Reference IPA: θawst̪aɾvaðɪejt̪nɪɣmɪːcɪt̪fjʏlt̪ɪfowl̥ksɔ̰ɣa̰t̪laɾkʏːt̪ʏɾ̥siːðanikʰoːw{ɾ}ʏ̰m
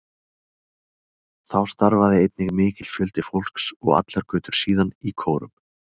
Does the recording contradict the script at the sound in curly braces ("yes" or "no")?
no